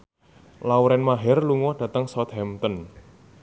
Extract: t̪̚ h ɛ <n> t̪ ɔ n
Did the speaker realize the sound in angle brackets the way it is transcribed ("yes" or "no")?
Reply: no